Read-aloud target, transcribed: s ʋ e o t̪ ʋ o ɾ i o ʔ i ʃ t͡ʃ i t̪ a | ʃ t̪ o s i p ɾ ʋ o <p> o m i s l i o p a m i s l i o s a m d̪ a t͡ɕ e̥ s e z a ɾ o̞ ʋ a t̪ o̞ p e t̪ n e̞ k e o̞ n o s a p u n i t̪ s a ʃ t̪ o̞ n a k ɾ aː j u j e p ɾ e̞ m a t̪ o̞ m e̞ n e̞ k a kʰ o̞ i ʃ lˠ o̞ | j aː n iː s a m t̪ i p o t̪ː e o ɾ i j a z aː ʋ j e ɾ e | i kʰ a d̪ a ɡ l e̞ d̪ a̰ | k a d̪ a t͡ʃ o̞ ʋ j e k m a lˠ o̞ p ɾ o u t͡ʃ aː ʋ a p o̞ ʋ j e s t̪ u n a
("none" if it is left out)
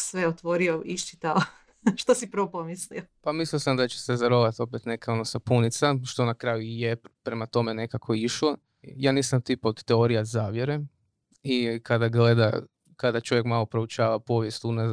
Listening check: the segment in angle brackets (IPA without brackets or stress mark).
p